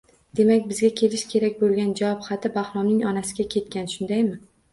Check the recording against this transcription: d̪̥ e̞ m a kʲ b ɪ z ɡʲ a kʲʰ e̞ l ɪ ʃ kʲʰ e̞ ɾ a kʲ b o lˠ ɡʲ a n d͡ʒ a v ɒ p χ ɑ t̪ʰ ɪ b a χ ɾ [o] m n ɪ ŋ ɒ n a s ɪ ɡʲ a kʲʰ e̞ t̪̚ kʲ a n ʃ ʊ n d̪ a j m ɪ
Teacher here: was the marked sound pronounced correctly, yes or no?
no